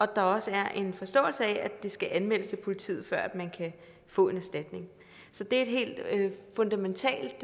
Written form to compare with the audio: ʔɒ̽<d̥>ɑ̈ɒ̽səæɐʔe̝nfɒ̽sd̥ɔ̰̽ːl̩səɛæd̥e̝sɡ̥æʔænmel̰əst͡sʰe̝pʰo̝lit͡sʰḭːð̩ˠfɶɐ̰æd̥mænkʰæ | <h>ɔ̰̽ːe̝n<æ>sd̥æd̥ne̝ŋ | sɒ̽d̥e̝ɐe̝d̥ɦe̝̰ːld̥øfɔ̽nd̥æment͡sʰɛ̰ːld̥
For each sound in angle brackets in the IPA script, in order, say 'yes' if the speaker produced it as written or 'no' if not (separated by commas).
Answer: yes, no, yes